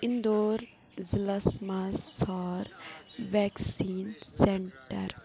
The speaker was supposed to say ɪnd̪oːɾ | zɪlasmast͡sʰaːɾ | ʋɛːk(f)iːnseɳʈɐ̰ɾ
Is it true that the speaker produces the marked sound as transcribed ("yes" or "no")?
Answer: no